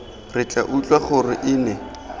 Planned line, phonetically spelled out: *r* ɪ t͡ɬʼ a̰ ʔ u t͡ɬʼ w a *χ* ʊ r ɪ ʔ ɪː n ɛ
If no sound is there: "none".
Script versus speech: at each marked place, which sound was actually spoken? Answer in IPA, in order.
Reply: r, χ

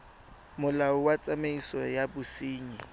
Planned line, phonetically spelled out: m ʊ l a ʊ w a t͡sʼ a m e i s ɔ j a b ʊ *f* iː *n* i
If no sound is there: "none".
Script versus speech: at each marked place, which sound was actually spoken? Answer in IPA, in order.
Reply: s, ɲ

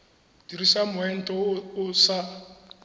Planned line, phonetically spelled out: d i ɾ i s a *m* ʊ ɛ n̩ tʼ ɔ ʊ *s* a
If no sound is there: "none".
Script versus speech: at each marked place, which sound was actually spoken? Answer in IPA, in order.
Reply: m, s

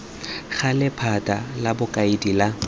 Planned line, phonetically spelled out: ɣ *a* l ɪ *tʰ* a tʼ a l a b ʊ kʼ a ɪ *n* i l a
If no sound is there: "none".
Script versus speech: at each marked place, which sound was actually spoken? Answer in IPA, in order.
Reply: a, pʰ, d

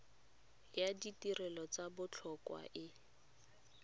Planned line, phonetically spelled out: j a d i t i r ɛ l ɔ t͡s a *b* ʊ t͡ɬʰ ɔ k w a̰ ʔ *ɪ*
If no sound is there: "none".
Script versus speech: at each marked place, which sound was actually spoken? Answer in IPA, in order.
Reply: b, ɪ

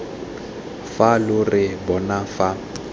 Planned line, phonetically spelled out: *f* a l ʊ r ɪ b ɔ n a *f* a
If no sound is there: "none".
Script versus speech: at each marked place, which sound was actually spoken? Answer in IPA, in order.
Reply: f, f

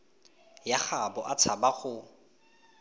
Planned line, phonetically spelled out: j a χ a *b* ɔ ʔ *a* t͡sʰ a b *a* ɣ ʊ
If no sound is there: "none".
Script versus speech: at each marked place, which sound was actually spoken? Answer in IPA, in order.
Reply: b, a, a

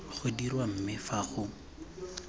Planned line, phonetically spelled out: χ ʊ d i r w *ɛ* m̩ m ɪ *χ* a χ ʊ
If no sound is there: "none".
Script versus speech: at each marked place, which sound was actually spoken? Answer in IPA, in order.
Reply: a, f

